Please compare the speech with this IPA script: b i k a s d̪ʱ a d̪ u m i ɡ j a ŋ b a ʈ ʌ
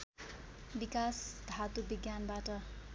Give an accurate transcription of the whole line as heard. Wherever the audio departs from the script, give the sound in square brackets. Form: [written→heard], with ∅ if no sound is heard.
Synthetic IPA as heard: b i k a s d̪ʱ a [d̪→t̪] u [m→b] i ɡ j a [ŋ→n] b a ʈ ʌ